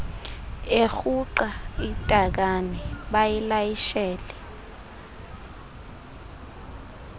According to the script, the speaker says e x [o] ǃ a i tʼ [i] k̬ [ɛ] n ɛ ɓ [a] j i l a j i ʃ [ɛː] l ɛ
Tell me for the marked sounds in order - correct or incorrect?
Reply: incorrect, incorrect, incorrect, correct, correct

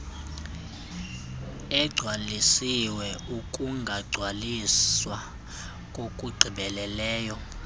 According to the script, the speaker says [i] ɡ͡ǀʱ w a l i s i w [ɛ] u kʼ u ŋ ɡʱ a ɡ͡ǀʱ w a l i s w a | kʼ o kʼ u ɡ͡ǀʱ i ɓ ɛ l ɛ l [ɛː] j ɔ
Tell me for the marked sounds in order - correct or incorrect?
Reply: incorrect, correct, correct

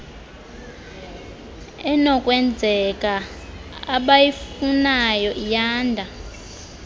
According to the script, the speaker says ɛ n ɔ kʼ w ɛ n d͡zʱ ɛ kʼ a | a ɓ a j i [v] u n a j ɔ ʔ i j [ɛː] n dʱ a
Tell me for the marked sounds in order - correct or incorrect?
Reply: incorrect, incorrect

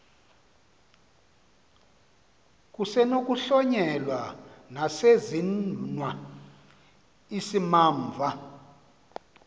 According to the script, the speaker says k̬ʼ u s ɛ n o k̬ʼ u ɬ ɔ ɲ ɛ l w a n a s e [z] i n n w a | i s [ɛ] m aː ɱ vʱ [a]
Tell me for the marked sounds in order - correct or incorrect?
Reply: correct, incorrect, correct

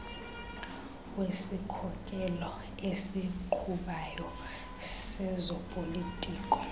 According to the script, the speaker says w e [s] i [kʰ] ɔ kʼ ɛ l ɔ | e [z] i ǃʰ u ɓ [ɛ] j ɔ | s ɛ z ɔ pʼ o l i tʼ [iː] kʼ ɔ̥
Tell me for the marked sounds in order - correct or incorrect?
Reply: correct, correct, incorrect, incorrect, correct

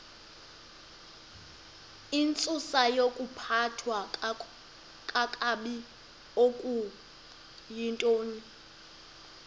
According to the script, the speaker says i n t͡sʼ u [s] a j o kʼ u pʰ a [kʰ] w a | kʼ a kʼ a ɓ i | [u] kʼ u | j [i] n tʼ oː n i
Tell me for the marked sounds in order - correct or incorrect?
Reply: correct, incorrect, incorrect, correct

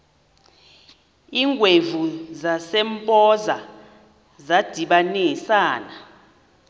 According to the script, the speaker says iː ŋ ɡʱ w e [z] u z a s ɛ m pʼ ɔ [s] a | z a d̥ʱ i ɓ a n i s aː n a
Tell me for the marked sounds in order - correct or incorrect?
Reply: incorrect, incorrect

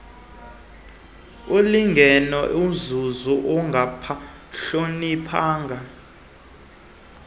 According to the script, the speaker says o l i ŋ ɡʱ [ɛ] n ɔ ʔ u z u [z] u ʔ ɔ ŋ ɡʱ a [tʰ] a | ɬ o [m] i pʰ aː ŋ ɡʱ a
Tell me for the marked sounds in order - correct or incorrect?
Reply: correct, correct, incorrect, incorrect

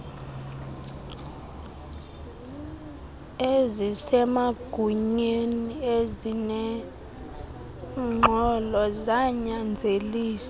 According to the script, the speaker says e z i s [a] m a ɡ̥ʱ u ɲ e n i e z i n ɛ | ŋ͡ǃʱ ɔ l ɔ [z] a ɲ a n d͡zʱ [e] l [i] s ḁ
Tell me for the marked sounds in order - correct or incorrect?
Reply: incorrect, correct, correct, incorrect

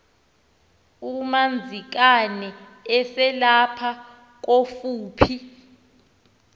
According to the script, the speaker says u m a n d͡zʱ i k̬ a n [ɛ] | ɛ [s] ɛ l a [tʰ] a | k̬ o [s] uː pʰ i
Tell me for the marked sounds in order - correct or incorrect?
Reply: correct, correct, incorrect, incorrect

